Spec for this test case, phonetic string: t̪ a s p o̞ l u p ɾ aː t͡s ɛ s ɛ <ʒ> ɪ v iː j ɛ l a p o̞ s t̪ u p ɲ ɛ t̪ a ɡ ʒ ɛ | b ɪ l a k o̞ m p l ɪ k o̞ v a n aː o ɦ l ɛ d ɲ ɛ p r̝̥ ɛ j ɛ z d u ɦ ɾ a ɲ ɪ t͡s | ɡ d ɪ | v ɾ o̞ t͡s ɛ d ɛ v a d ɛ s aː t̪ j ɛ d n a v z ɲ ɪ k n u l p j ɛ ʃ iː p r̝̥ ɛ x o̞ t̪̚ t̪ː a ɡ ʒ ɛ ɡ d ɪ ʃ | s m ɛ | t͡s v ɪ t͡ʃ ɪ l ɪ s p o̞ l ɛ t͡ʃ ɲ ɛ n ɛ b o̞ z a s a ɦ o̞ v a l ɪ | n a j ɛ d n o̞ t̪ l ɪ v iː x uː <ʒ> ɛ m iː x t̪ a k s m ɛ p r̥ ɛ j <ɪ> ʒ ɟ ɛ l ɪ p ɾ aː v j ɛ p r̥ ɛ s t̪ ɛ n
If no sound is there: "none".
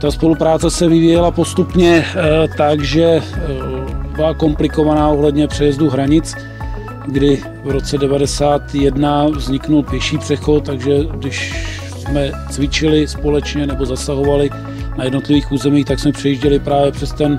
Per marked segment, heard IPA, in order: v, z, i

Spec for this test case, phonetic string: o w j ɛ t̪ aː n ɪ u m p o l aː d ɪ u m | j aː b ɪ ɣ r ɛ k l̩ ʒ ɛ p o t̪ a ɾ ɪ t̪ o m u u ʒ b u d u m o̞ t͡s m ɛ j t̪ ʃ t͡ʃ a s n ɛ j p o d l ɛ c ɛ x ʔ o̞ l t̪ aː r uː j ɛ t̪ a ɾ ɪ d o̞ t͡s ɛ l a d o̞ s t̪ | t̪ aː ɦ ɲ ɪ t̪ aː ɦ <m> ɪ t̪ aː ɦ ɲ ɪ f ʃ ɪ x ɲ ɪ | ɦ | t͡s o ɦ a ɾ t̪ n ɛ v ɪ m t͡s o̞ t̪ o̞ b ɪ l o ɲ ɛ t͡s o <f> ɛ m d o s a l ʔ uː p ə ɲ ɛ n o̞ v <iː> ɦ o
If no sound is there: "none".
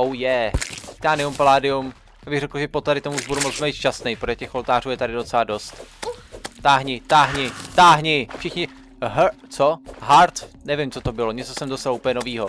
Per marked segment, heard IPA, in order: ɲ, s, iː

